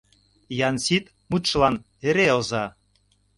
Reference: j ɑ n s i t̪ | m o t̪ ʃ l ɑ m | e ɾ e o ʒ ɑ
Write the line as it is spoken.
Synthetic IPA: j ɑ n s i t̪ | m u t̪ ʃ l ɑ n | e ɾ e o z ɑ